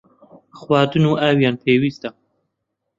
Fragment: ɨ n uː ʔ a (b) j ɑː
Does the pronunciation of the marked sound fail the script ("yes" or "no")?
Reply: yes